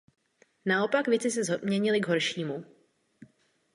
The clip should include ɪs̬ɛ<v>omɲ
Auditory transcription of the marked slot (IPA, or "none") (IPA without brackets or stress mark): z